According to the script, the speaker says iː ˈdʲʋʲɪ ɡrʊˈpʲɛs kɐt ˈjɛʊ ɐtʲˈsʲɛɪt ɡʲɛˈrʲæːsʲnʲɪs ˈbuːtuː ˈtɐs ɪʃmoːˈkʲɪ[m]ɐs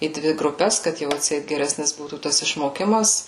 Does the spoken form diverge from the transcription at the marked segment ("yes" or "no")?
no